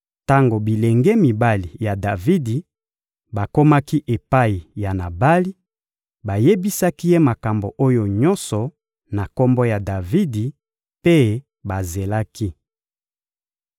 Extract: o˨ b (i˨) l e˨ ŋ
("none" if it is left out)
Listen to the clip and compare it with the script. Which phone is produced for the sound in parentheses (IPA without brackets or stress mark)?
i˨